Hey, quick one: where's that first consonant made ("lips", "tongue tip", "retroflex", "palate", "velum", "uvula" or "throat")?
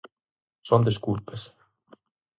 tongue tip